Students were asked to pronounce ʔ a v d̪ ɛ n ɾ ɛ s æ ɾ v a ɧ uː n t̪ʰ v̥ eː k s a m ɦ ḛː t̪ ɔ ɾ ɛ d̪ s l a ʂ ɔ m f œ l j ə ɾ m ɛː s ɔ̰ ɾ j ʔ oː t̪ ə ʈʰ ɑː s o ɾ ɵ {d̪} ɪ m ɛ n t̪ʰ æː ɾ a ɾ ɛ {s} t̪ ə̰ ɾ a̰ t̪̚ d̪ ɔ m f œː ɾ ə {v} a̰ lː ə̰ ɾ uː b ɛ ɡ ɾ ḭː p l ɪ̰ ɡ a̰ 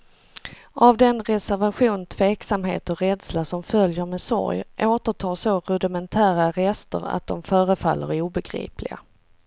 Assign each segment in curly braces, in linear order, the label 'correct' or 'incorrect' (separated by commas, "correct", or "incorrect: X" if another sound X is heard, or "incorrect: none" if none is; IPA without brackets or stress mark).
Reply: correct, correct, incorrect: f